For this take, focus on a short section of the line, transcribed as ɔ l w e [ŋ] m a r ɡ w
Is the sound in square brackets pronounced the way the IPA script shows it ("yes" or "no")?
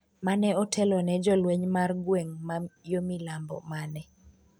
no